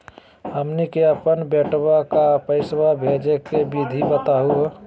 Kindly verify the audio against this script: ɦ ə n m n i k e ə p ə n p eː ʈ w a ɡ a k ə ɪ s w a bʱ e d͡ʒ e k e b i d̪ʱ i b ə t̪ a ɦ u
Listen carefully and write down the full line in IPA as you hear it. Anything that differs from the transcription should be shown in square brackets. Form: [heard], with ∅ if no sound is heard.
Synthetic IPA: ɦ ə [∅] m n i k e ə p ə n [b] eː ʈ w a [k] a [p] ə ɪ s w a bʱ e d͡ʒ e k e b i d̪ʱ i b ə t̪ a ɦ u